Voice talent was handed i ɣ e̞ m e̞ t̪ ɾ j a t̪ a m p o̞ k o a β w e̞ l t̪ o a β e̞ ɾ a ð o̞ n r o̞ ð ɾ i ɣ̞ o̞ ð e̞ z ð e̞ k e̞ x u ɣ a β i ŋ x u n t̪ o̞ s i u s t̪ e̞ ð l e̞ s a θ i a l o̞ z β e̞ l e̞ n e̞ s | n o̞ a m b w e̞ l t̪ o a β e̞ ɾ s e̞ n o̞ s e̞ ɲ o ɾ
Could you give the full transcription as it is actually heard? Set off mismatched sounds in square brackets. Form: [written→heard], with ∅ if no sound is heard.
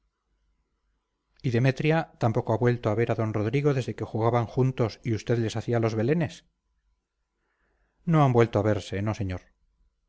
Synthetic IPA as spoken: i [ɣ→ð] e̞ m e̞ t̪ ɾ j a t̪ a m p o̞ k o a β w e̞ l t̪ o a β e̞ ɾ a ð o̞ n r o̞ ð ɾ i ɣ̞ o̞ ð e̞ z ð e̞ k e̞ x u ɣ a β [i→a] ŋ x u n t̪ o̞ s i u s t̪ e̞ ð l e̞ s a θ i a l o̞ z β e̞ l e̞ n e̞ s | n o̞ a m b w e̞ l t̪ o a β e̞ ɾ s e̞ n o̞ s e̞ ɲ o ɾ